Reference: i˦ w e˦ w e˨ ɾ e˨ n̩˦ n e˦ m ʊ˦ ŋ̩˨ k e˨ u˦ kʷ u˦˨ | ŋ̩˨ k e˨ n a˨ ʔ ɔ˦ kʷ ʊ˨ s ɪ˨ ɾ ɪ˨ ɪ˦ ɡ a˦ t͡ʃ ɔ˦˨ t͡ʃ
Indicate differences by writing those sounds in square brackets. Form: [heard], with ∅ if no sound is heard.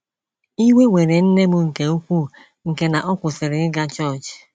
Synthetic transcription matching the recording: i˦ w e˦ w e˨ ɾ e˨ n̩˦ n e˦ m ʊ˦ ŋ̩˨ k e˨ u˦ kʷ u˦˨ | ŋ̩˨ k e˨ n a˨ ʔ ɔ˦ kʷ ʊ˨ s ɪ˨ ɾ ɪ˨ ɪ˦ ɡ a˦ t͡ʃ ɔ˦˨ t͡ʃ